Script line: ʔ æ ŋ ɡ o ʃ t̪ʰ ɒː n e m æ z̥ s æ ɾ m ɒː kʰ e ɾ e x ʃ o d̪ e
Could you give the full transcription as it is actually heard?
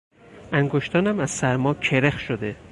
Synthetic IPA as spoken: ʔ æ ŋ ɡ o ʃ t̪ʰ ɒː n æ m æ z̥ s æ ɾ m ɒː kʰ e ɾ e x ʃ o d̪ e